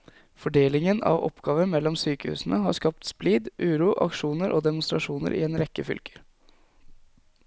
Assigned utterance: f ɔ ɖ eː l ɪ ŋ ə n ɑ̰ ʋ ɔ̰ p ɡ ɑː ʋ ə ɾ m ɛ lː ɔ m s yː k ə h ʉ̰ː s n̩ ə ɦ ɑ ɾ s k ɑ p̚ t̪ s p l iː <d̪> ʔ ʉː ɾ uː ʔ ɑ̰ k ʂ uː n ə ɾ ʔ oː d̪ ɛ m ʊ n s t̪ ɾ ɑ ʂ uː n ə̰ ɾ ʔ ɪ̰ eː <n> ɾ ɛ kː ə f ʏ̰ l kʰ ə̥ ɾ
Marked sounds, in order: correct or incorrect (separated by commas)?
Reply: correct, correct